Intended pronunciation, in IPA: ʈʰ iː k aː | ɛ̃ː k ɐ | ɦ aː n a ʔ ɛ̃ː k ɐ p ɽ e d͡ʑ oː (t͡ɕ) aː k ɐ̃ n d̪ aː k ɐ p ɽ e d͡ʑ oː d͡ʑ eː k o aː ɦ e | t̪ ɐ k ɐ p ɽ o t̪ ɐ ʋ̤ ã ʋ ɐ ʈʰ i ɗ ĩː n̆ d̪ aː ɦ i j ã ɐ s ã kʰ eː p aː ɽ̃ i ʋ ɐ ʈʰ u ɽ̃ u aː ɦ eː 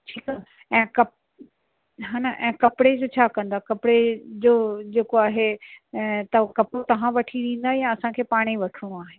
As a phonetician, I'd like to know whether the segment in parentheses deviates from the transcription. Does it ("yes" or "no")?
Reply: yes